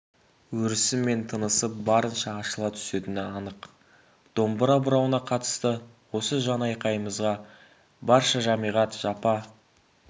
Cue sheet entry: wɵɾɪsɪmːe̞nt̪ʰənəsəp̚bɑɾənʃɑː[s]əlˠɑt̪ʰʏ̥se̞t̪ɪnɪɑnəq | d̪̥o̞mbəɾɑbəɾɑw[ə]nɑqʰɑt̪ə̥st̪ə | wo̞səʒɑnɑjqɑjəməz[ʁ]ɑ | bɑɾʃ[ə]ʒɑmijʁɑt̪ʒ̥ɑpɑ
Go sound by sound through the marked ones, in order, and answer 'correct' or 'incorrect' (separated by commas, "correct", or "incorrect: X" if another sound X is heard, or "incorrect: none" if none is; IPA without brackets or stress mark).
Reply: incorrect: ʃ, correct, correct, incorrect: ɑ